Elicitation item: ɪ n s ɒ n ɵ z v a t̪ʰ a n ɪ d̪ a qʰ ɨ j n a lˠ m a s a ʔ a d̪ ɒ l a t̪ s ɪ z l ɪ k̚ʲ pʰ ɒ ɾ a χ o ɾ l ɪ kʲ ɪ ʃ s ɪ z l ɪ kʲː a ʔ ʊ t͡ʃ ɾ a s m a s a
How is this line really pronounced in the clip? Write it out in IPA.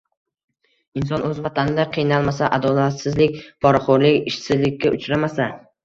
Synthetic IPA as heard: ɪ n s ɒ n ɵ z v a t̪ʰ a n ɪ d̪ a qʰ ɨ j n a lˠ m a s a ʔ a d̪ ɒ l a t̪ s ɪ z l ɪ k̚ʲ pʰ ɒ ɾ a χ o ɾ l ɪ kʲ ɪ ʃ s ɪ z l ɪ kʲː a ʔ ʊ t͡ʃ ɾ a m a s a